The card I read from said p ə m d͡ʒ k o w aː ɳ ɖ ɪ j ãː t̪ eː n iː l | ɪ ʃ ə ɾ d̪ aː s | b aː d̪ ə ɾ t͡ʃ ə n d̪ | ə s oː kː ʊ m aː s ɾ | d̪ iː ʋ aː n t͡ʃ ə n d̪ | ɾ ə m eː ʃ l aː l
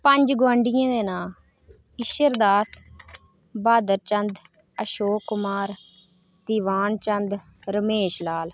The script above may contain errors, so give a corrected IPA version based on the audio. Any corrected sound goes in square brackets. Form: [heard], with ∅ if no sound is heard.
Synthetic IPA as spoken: p ə [ɲ] d͡ʒ [ɡ] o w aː ɳ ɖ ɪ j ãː [d̪] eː n [aː] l | ɪ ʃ ə ɾ d̪ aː s | b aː d̪ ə ɾ t͡ʃ ə n d̪ | ə [ʃ] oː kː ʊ m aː [∅] ɾ | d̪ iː ʋ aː n t͡ʃ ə n d̪ | ɾ ə m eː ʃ l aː l